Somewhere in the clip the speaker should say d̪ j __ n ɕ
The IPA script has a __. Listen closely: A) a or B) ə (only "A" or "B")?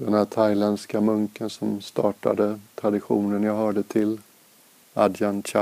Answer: A